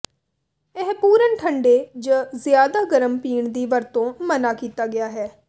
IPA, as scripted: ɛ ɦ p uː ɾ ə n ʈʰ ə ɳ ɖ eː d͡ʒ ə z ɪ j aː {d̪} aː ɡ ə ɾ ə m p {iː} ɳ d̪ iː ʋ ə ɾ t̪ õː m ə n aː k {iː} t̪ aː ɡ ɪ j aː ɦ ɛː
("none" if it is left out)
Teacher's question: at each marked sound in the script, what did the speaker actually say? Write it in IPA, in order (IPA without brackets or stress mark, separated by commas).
d̪, iː, iː